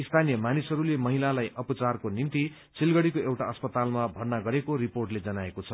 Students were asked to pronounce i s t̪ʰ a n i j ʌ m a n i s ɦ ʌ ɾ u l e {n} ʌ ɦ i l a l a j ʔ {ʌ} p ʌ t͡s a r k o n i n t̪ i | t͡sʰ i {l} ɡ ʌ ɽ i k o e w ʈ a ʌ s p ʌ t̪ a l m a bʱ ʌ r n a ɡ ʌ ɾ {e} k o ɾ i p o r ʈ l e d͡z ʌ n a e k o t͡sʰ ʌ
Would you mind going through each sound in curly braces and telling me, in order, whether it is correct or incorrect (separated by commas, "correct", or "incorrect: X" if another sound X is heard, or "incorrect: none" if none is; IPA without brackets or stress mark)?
incorrect: m, correct, correct, correct